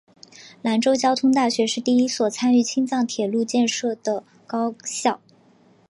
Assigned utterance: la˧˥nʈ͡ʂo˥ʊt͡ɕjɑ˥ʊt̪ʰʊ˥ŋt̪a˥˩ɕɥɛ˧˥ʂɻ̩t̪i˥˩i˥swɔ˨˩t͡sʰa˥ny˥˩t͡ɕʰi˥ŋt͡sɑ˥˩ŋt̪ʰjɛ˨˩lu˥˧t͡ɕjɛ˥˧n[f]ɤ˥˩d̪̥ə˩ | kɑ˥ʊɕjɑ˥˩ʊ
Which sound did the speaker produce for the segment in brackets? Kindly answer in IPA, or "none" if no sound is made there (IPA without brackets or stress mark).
ʂ